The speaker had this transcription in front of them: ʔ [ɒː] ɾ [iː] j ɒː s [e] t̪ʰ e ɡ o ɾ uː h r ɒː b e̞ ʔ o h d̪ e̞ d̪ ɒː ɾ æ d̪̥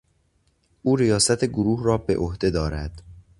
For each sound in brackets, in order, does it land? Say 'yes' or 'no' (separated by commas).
no, no, no